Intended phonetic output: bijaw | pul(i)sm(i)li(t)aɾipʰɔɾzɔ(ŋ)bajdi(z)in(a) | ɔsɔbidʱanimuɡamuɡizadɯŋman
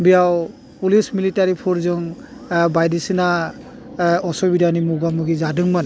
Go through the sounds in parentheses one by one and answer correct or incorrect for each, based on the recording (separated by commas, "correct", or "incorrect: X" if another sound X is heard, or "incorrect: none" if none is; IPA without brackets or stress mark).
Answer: correct, correct, correct, correct, incorrect: s, correct